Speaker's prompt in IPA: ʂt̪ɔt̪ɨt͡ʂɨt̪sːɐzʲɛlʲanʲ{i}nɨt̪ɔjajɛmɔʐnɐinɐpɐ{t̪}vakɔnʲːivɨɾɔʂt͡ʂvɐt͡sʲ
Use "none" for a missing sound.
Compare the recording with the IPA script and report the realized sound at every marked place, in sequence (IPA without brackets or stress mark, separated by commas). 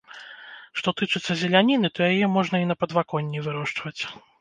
i, d̪